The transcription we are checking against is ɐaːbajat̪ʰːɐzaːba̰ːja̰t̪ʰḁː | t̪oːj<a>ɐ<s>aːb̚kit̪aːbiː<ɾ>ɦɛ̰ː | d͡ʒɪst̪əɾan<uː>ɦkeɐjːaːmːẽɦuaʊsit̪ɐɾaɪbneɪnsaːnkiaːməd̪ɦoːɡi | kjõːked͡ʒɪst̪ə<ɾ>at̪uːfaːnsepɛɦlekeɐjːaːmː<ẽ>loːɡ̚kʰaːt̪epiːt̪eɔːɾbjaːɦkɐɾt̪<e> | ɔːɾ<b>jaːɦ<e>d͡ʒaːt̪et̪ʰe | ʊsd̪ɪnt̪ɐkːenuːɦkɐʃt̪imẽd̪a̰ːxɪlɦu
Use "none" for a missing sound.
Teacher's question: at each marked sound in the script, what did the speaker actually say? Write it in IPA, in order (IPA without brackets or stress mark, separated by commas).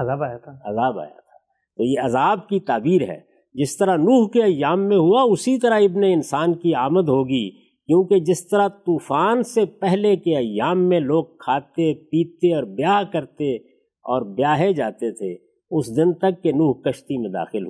e, z, ɾ, uː, ɾ, ẽ, e, b, e